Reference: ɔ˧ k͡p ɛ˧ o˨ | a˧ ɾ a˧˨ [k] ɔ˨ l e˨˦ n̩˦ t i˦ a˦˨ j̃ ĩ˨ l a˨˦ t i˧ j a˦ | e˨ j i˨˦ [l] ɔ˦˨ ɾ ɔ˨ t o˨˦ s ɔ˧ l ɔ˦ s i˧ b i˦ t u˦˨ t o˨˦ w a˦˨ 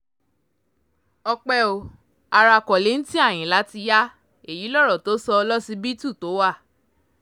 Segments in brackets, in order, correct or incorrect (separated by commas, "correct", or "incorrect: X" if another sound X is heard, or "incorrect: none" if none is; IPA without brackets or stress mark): correct, correct